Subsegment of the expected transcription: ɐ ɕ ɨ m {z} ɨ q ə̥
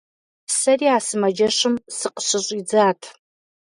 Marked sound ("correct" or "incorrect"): incorrect